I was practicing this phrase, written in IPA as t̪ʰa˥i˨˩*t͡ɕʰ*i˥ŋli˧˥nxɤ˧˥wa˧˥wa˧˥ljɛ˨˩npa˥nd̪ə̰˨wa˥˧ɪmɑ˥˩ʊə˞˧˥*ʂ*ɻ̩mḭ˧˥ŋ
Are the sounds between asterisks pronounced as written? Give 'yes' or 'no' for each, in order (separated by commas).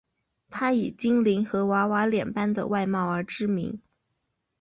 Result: no, no